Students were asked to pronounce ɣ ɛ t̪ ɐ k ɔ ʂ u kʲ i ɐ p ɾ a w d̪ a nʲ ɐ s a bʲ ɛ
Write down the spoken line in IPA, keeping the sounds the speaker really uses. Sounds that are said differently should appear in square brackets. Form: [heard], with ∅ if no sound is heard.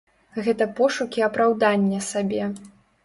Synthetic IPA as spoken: ɣ ɛ t̪ ɐ [p] ɔ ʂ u kʲ i ɐ p ɾ a w d̪ a [nʲː] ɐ s a bʲ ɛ